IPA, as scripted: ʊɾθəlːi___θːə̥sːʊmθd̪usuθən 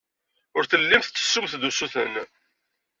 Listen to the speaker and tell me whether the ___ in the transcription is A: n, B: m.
B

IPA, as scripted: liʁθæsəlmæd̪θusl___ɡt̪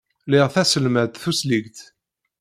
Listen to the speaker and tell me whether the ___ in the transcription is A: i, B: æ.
A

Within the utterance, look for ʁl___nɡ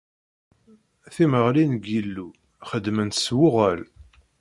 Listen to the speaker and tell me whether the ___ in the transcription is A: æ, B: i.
B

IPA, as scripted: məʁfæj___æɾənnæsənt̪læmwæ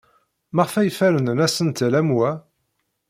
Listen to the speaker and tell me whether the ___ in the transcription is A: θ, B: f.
B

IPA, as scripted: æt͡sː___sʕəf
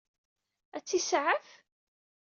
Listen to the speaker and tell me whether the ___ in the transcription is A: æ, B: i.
B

